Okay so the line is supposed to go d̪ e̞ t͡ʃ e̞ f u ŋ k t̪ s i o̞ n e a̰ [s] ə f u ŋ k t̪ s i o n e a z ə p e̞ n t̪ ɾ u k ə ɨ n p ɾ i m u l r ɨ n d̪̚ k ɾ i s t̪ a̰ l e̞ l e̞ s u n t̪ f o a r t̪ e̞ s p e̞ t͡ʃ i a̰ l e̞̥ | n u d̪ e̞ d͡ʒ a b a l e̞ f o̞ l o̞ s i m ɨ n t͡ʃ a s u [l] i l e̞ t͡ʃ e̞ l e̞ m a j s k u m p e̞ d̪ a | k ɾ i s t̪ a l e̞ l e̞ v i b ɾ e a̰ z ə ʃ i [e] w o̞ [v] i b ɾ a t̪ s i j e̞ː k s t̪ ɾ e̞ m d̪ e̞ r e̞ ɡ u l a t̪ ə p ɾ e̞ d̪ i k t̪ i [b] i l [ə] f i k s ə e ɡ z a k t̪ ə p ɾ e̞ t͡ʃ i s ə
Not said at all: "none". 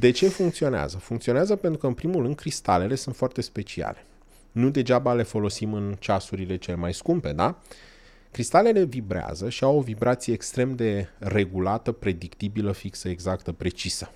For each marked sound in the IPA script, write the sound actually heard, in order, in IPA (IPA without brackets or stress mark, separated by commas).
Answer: z, ɾ, a, v, b, ə